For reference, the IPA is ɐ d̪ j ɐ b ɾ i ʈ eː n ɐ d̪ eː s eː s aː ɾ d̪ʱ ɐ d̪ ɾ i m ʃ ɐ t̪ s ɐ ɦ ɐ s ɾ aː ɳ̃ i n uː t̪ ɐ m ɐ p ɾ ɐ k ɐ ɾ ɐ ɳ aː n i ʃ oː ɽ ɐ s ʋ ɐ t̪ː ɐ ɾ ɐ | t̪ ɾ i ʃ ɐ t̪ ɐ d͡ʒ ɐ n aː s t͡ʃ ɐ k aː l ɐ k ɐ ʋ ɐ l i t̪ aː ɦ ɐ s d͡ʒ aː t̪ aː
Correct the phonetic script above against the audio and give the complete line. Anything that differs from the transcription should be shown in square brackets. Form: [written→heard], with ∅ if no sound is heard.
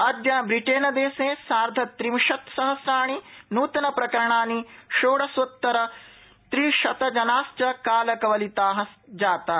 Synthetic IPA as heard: ɐ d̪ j ɐ b ɾ i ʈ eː n ɐ d̪ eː s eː s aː ɾ d̪ʱ ɐ [d̪→t̪] ɾ i m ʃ ɐ t̪ s ɐ ɦ ɐ s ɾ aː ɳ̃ i n uː t̪ ɐ [m→n] ɐ p ɾ ɐ k ɐ ɾ ɐ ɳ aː n i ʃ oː ɽ ɐ s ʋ ɐ t̪ː ɐ ɾ ɐ | t̪ ɾ i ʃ ɐ t̪ ɐ d͡ʒ ɐ n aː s t͡ʃ ɐ k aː l ɐ k ɐ ʋ ɐ l i t̪ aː ɦ ɐ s d͡ʒ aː t̪ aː